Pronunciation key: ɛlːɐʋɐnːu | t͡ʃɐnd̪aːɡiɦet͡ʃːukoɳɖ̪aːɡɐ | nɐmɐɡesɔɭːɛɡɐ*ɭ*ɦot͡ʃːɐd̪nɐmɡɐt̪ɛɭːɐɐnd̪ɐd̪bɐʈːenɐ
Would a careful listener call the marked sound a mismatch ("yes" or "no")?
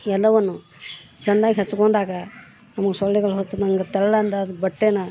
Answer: no